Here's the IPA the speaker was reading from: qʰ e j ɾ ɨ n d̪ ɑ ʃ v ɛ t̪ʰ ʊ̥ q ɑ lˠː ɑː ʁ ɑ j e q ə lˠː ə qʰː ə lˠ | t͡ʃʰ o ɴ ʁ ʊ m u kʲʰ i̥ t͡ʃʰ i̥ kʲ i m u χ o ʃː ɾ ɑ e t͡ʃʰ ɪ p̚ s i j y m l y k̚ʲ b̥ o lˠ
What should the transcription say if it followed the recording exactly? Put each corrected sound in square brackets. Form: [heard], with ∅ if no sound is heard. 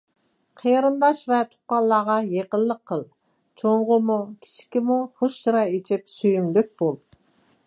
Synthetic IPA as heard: qʰ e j ɾ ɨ n d̪ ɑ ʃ v ɛ t̪ʰ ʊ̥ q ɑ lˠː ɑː ʁ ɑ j e q ə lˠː ə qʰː ə lˠ | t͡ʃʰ o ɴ ʁ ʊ m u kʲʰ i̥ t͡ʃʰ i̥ kʲ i m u χ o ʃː ɾ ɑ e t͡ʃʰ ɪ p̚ s [y] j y m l y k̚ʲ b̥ o lˠ